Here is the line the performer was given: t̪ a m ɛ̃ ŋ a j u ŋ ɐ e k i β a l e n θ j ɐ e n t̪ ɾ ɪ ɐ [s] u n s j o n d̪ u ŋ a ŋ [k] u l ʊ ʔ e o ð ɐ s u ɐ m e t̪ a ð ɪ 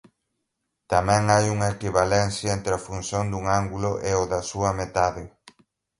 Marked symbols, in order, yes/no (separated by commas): no, no